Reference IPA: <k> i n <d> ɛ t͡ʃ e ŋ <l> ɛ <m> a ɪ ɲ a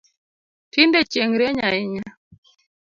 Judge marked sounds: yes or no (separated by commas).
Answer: no, yes, no, no